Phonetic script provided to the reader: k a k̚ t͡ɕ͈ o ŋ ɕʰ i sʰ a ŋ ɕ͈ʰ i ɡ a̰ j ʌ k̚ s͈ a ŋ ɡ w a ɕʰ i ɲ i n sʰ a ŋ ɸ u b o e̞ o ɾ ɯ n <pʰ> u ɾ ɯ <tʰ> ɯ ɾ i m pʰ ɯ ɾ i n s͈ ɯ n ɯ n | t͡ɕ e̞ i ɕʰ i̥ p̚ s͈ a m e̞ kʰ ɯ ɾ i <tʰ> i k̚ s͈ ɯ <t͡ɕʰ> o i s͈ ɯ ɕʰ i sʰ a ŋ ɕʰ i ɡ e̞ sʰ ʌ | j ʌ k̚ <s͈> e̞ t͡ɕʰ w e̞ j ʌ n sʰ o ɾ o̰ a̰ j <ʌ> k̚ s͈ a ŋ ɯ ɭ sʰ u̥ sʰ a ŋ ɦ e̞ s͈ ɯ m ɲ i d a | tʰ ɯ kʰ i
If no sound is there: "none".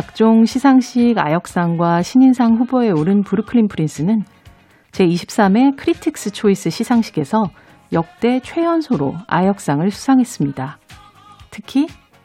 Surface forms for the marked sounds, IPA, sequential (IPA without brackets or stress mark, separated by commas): p, kʰ, tʰ, t͡ɕʰ, t͈, ʌ